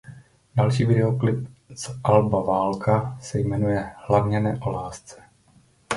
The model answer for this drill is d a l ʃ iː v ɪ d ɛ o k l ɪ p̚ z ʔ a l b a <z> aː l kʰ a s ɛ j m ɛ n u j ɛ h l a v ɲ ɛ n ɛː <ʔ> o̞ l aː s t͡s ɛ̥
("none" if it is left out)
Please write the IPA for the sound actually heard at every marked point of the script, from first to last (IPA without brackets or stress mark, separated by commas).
v, ʔ